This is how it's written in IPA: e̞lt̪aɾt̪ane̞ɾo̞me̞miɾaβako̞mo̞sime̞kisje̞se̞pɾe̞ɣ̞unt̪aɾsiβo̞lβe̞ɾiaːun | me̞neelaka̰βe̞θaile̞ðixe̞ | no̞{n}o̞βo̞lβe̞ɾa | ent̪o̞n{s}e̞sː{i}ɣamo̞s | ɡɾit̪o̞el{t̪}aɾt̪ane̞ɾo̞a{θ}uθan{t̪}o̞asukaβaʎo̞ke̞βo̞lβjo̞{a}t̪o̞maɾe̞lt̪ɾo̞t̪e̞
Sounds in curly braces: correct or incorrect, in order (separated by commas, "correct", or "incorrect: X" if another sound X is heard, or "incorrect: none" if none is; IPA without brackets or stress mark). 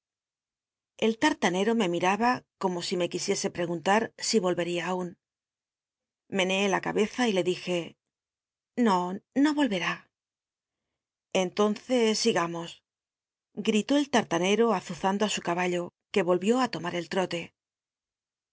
correct, incorrect: θ, correct, correct, correct, incorrect: d̪, correct